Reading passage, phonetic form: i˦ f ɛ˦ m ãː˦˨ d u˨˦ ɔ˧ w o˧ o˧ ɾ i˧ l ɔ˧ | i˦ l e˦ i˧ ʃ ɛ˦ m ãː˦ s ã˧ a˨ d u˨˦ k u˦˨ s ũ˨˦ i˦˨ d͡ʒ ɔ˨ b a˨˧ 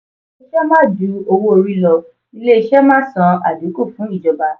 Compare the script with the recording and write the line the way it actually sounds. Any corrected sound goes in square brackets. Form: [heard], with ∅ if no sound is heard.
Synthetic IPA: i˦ [ʃ] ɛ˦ m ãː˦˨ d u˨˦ [o˧] w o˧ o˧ ɾ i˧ l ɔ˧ | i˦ l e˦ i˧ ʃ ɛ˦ m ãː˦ s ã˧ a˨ d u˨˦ k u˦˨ [f] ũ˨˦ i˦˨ d͡ʒ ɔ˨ b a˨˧